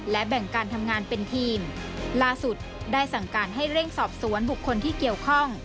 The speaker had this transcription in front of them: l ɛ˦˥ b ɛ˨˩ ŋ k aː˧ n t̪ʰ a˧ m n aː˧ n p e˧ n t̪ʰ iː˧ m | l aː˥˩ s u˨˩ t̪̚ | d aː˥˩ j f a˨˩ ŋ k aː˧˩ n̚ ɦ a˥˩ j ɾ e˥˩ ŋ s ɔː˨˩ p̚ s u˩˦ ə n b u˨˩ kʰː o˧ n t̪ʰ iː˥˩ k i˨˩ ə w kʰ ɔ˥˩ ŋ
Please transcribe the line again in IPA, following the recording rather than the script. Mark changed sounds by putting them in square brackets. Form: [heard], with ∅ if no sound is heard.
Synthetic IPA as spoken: l ɛ˦˥ b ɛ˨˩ ŋ k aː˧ n t̪ʰ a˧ m [ŋ] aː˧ n p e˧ n t̪ʰ iː˧ m | l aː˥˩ s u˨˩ t̪̚ | d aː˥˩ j [s] a˨˩ ŋ k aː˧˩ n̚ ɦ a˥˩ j ɾ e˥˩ ŋ s ɔː˨˩ p̚ s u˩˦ ə n b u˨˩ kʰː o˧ n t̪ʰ iː˥˩ k i˨˩ ə w kʰ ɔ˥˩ ŋ